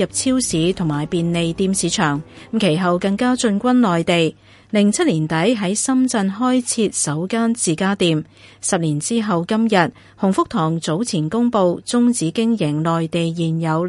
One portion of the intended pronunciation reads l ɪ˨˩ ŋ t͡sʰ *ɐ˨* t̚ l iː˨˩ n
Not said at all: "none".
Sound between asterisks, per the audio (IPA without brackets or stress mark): ɐ˥